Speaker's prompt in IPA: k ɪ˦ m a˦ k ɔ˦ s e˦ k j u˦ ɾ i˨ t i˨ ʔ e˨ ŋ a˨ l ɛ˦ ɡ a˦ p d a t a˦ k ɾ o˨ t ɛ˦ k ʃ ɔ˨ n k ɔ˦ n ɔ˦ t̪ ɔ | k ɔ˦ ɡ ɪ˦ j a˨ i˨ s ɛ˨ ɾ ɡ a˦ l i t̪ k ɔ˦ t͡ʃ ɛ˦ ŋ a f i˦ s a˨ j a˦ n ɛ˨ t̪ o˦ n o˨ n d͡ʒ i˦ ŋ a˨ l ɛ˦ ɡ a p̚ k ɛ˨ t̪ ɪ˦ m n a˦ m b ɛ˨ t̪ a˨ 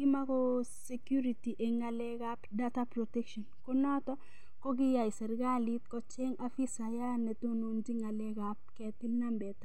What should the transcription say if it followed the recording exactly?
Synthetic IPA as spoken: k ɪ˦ m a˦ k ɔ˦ s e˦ k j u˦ ɾ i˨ t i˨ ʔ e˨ ŋ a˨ l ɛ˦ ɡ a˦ p d a t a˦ p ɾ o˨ t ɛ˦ k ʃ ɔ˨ n k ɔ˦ n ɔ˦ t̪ ɔ | k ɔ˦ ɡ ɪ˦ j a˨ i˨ s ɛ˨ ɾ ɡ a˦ l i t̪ k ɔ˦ t͡ʃ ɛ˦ ŋ a f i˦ s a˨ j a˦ n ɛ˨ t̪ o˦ n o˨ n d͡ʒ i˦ ŋ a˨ l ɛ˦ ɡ a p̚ k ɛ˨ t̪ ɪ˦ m n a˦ m b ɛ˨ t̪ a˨